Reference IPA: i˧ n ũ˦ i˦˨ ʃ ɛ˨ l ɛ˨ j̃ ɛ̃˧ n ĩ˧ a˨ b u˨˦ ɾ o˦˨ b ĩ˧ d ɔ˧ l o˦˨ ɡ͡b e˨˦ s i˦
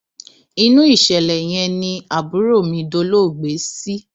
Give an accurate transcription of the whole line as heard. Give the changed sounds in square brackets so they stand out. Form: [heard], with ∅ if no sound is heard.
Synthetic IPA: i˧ n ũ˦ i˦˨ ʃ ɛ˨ l ɛ˨ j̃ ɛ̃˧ n ĩ˧ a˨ b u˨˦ ɾ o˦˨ [m] ĩ˧ d [o˧] l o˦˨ ɡ͡b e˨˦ s i˦